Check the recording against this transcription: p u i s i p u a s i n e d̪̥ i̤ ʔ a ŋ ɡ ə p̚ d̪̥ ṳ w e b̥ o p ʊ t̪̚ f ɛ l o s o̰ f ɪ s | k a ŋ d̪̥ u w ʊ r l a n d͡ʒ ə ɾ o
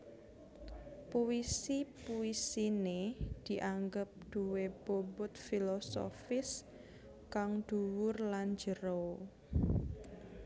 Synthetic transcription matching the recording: p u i s i p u i s i n e d̪̥ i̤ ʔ a ŋ ɡ ə p̚ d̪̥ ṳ w e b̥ o b ʊ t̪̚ f i l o s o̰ f ɪ s | k a ŋ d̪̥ u w ʊ r l a n d͡ʒ ə ɾ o